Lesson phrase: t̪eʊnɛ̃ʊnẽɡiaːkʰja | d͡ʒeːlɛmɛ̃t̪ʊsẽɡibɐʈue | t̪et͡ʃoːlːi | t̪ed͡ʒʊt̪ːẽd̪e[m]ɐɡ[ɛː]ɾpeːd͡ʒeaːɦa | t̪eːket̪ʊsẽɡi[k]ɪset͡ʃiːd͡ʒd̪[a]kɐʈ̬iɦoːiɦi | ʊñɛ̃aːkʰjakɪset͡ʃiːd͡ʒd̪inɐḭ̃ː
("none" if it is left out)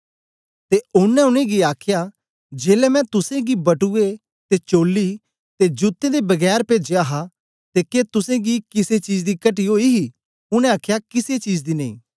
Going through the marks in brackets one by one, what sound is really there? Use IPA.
b, ɛː, k, i

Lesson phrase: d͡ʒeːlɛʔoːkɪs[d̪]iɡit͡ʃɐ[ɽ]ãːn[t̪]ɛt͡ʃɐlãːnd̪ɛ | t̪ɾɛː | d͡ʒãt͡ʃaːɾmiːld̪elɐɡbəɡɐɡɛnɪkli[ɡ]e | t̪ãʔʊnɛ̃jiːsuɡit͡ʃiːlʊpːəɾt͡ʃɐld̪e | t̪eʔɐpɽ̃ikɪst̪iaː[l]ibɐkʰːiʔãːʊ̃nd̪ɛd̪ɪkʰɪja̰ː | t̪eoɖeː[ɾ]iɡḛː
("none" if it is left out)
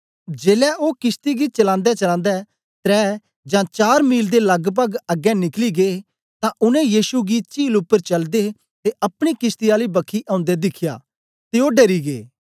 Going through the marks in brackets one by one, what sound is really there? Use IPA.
t̪, l, d̪, ɡ, l, ɾ

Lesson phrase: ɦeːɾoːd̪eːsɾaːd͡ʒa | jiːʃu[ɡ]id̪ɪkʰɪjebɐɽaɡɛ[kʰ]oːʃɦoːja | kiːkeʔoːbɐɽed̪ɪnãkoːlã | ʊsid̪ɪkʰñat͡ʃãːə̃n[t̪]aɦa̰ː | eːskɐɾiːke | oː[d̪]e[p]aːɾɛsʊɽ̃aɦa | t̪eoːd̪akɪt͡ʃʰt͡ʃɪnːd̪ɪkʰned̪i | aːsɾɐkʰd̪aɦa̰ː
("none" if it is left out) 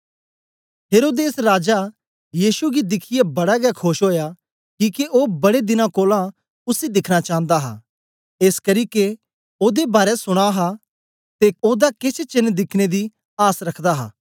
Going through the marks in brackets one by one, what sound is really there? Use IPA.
ɡ, kʰ, d̪, d̪, b

